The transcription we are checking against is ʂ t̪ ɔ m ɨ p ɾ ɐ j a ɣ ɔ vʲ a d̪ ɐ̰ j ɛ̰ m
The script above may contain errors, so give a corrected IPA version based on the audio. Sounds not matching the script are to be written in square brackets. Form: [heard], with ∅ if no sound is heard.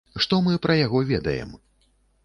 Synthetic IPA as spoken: ʂ t̪ ɔ m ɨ p ɾ ɐ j a ɣ ɔ vʲ [ɛ] d̪ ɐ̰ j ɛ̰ m